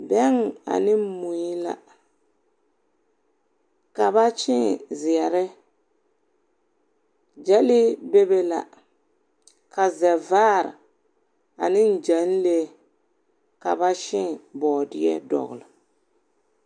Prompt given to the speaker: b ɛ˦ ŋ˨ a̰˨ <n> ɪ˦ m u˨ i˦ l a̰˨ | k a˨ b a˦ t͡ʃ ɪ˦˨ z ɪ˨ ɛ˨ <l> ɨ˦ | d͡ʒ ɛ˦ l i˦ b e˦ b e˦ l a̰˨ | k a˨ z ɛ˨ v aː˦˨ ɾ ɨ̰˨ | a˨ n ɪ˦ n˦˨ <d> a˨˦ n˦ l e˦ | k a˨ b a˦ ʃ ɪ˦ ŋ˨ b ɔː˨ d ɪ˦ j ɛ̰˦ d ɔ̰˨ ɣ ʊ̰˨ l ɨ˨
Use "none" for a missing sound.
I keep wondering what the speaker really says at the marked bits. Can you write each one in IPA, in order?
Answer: n, ɾ, d͡ʒ

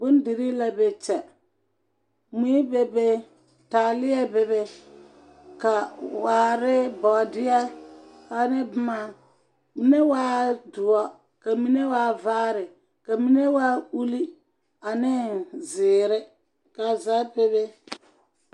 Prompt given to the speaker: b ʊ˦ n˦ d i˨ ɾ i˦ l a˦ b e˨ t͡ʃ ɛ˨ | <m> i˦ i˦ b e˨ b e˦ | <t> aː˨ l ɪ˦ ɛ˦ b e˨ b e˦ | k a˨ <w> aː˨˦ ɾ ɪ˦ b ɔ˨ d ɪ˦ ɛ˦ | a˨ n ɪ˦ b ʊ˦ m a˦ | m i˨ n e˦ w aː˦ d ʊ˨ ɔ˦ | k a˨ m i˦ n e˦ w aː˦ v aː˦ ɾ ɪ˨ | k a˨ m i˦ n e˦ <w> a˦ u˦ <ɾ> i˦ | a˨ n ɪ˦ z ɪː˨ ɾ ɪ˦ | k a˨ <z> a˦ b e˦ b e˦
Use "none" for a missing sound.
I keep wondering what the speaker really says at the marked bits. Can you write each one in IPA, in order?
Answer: m, t, w, w, l, z

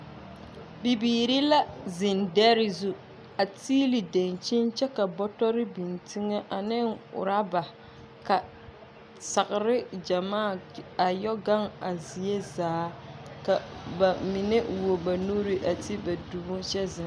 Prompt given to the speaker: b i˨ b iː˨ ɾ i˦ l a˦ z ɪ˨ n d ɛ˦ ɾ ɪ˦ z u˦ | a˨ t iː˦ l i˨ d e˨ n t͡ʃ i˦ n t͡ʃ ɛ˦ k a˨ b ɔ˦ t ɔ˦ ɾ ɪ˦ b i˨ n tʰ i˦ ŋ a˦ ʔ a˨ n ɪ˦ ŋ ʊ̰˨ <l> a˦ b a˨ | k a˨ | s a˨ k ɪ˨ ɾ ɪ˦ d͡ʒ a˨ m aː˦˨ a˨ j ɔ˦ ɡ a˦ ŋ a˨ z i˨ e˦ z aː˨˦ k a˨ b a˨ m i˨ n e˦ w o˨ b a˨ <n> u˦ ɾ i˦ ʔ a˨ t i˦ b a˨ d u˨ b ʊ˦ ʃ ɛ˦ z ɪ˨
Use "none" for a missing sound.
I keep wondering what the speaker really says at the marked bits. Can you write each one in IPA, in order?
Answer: ɾ, n

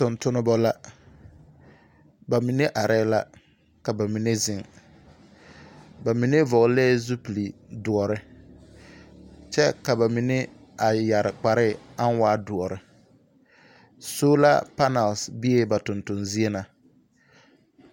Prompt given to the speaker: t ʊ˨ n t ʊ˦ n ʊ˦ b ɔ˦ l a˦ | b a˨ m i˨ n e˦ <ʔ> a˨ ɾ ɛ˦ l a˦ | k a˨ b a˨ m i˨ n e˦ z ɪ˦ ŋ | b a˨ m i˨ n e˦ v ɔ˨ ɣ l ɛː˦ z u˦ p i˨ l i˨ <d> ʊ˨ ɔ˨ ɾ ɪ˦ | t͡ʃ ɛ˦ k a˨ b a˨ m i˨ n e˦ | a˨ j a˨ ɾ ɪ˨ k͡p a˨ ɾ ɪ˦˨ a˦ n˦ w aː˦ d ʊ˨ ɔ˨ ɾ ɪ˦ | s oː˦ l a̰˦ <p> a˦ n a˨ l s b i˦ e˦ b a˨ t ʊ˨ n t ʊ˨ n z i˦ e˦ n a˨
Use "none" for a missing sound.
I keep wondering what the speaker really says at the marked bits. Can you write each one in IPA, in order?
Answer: ʔ, d, p

